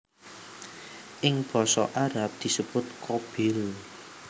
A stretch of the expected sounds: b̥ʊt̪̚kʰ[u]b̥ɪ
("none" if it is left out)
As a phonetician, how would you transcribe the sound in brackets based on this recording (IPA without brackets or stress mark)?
o